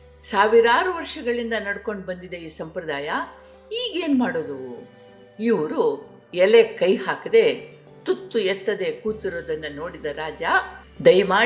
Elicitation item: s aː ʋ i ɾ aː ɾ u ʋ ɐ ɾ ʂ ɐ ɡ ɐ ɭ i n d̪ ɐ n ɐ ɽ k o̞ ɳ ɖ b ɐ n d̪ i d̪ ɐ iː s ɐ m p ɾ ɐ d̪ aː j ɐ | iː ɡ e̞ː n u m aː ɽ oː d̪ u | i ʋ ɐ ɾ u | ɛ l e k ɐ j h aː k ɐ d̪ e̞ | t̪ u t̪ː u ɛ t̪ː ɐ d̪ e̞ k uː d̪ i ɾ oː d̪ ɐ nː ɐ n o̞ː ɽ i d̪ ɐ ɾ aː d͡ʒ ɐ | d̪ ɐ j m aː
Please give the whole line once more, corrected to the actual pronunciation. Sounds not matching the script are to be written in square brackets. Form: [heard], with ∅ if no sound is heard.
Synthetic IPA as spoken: s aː ʋ i ɾ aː ɾ u ʋ ɐ ɾ ʂ ɐ ɡ ɐ ɭ i n d̪ ɐ n ɐ ɽ k o̞ ɳ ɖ b ɐ n d̪ i d̪ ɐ iː s ɐ m p ɾ ɐ d̪ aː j ɐ | iː ɡ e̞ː n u m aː ɽ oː d̪ u | i ʋ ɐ ɾ u | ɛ l e k ɐ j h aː k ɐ d̪ e̞ | t̪ u t̪ː u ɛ t̪ː ɐ d̪ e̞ k uː [t̪] i ɾ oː d̪ ɐ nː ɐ n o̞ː ɽ i d̪ ɐ ɾ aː d͡ʒ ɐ | d̪ ɐ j m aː